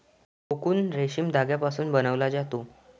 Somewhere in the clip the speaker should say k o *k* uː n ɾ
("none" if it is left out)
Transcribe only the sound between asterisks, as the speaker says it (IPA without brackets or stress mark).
k